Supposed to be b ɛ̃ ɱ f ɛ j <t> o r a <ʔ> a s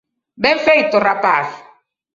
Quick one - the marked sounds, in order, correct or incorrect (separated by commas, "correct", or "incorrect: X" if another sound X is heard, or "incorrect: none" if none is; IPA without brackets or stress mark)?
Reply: correct, incorrect: p